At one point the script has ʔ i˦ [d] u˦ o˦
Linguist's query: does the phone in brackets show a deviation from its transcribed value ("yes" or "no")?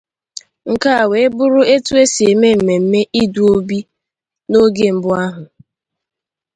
no